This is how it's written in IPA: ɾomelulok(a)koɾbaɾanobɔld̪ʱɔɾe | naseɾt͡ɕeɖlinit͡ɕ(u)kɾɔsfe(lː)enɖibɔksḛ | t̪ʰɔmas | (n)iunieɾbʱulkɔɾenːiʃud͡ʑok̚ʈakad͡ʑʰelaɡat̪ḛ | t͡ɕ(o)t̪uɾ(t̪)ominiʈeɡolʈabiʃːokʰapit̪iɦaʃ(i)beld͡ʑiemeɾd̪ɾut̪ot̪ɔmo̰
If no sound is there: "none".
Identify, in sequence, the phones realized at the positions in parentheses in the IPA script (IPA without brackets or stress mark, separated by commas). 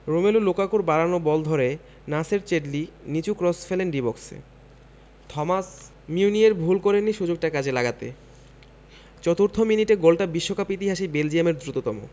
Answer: a, u, l, m, ɔ, t̪ʰ, i